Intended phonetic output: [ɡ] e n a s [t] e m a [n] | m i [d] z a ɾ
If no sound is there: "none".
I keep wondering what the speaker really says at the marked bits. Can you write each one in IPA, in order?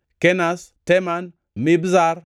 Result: k, t, n, b

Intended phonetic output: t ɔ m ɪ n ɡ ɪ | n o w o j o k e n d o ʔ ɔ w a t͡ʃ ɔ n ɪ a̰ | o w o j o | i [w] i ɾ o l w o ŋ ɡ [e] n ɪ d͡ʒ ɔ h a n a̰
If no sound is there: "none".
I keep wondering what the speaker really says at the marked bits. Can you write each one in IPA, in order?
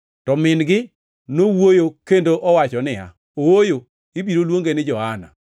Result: b, e

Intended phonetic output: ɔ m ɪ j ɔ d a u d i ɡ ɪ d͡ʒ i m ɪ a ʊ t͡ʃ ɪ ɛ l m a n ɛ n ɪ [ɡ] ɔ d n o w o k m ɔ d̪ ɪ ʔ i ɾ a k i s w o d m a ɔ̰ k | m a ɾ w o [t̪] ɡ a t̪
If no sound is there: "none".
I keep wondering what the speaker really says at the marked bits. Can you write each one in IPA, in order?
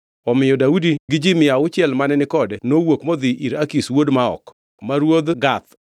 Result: k, d̪

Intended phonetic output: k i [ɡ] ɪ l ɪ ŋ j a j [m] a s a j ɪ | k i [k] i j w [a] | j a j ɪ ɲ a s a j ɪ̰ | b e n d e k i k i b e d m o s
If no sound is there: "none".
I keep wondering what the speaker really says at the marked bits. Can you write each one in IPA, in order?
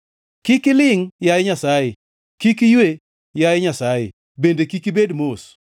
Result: k, ɲ, k, e

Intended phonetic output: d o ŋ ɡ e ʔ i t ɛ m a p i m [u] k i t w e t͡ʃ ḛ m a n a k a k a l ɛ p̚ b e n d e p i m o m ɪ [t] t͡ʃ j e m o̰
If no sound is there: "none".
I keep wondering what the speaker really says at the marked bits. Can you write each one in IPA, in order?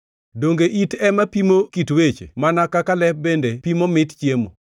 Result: o, t

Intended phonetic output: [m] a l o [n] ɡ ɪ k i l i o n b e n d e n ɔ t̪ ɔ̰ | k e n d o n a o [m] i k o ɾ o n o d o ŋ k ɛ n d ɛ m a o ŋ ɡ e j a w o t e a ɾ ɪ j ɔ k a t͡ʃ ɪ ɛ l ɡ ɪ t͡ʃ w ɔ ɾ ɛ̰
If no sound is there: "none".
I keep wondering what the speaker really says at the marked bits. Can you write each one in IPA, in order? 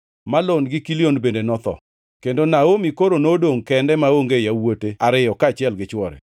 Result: m, n, m

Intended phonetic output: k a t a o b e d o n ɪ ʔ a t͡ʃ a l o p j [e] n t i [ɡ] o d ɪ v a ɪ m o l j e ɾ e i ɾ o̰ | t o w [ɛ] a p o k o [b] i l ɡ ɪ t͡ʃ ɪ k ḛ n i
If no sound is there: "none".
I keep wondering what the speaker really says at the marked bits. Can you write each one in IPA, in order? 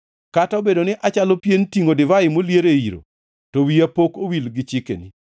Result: e, ŋ, i, w

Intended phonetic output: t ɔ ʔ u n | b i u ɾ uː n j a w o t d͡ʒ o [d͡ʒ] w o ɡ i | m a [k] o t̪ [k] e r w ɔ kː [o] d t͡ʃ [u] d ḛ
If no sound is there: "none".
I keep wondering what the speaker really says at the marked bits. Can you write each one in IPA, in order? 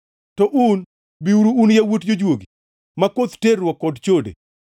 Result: d͡ʒ, k, t, ɔ, o

